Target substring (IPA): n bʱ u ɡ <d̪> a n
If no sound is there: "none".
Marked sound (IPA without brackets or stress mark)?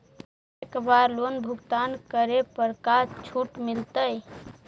t̪